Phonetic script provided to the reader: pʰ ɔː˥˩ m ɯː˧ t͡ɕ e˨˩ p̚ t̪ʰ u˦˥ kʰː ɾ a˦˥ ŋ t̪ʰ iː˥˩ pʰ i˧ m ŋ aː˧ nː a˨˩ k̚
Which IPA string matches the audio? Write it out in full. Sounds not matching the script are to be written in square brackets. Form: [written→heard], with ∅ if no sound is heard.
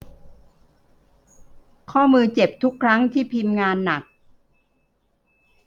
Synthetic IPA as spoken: [pʰ→kʰ] ɔː˥˩ m ɯː˧ t͡ɕ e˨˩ p̚ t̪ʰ u˦˥ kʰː ɾ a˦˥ ŋ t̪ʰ iː˥˩ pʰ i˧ m ŋ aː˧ nː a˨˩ k̚